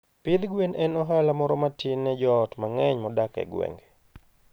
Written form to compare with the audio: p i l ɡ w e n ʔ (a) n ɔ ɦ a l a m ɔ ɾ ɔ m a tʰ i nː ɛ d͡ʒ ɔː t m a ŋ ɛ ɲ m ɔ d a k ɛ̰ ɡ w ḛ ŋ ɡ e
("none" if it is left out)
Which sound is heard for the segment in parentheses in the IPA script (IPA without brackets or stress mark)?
ɛ